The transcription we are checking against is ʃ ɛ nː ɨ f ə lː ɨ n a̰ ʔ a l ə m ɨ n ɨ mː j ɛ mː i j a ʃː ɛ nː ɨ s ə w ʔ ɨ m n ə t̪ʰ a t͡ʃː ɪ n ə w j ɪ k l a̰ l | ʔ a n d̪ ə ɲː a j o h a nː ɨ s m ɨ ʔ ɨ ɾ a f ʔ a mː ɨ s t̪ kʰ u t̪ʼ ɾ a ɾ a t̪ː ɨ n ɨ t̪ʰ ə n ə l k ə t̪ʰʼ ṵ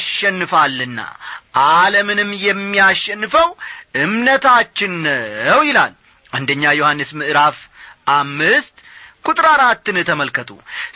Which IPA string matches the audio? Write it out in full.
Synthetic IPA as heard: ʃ ɛ nː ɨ f a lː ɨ nː a̰ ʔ a l ə m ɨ n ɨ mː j ɛ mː i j a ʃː ɛ nː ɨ f ə w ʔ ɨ m n ə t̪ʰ a t͡ʃː ɪ n ə w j ɪ l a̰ l | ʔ a n d̪ ə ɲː a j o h a nː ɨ s m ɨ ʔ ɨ ɾ a f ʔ a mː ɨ s t̪ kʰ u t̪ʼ ɾ a ɾ a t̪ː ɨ n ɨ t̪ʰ ə m ə l k ə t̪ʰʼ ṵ